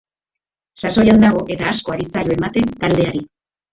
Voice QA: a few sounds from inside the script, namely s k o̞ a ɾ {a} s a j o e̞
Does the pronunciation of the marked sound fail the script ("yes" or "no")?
yes